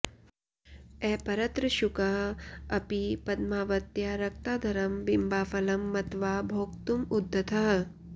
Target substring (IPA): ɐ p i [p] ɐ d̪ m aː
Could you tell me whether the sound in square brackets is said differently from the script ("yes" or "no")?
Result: no